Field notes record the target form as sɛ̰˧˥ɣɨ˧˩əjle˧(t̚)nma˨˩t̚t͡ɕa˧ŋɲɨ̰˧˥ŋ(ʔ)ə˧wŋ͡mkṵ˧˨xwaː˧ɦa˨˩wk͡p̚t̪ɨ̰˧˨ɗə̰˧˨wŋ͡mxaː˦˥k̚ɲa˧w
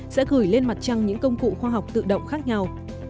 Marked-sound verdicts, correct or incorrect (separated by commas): incorrect, incorrect